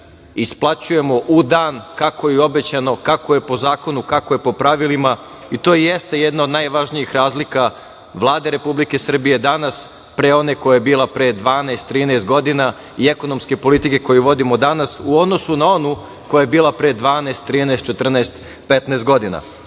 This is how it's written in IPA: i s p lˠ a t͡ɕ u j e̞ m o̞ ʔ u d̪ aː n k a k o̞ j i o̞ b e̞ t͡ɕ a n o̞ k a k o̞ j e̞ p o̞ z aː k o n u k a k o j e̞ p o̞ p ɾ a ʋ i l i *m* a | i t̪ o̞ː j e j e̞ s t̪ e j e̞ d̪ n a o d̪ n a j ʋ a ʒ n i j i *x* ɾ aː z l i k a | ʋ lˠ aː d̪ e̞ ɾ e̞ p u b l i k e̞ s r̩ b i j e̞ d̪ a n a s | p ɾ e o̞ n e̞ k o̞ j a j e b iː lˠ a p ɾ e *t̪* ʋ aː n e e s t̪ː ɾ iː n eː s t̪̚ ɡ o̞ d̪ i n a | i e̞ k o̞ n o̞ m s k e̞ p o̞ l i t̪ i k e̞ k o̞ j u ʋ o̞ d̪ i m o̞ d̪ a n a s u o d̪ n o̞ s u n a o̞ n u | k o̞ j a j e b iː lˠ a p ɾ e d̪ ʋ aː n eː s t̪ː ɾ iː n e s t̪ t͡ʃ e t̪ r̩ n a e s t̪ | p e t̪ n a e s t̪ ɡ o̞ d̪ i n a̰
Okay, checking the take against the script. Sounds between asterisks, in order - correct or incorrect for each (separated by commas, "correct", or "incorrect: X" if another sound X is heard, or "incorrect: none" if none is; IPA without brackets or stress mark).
correct, correct, incorrect: d̪